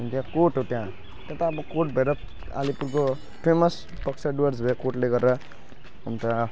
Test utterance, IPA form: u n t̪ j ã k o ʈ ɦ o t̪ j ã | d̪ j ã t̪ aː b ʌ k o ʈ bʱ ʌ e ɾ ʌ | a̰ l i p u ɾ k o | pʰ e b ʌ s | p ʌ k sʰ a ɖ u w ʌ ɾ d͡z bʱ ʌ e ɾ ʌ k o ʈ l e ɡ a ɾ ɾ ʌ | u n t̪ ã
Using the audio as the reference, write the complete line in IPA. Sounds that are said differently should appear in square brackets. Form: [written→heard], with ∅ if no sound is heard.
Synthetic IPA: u n t̪ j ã k o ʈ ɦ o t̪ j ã | [d̪→t̪] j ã t̪ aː b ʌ k o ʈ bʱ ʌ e ɾ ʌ | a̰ l i p u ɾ k o | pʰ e [b→m] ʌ s | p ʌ k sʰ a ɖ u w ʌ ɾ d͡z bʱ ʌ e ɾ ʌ k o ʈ l e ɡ [a→ʌ] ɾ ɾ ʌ | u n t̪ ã